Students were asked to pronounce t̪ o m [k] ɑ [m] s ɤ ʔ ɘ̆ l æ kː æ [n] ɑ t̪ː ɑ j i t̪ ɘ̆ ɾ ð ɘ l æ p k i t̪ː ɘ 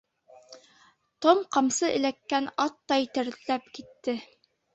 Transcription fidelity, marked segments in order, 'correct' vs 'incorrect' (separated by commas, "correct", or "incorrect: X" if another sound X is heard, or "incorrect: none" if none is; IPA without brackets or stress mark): incorrect: q, correct, correct